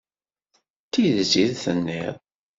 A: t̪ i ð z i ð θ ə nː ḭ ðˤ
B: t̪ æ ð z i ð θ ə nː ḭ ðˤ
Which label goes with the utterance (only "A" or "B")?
A